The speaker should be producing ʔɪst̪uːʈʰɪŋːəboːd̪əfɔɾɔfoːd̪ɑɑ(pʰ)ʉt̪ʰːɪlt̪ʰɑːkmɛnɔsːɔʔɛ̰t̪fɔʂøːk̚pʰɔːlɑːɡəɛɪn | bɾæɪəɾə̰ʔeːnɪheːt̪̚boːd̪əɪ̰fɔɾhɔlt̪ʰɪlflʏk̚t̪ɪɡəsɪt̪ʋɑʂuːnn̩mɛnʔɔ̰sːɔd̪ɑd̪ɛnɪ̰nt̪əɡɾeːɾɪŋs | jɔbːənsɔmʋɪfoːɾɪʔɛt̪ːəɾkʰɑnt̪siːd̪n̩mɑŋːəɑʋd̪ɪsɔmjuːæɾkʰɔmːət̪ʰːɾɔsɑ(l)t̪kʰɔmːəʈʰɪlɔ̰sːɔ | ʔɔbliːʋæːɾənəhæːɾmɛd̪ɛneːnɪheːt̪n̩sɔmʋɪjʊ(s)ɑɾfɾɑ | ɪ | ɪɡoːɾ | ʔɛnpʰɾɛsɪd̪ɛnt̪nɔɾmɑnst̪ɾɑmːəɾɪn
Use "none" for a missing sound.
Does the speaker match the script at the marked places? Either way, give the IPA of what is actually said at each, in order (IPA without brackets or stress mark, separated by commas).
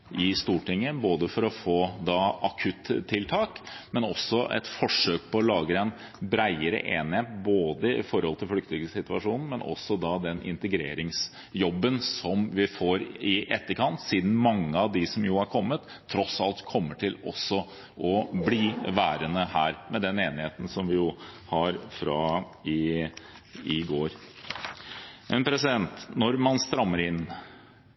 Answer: kʰ, l, h